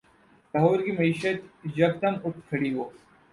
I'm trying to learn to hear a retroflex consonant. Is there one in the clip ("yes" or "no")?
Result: yes